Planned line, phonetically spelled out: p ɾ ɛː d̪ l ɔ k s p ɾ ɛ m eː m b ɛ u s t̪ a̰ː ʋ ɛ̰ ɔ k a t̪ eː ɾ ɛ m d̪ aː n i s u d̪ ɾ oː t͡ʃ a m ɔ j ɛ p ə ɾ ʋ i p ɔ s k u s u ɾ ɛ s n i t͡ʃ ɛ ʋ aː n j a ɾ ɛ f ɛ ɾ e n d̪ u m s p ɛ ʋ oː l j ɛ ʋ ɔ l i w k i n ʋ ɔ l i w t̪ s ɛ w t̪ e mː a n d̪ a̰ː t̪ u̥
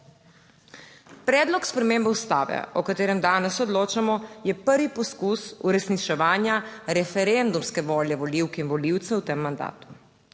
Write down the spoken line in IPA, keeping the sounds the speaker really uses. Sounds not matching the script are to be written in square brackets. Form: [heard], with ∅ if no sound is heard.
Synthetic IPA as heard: p ɾ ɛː d̪ l ɔ k s p ɾ ɛ m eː m b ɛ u s t̪ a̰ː ʋ ɛ̰ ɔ k a t̪ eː ɾ ɛ m d̪ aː n [ɛ] s [ɔ] d̪ [l] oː t͡ʃ a m ɔ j ɛ p ə ɾ ʋ i p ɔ s k u s u ɾ ɛ s n i t͡ʃ ɛ ʋ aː n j a ɾ ɛ f ɛ ɾ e n d̪ u m s [k] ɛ ʋ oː l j ɛ ʋ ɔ l i w k i n ʋ ɔ l i w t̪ s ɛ w t̪ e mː a n d̪ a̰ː t̪ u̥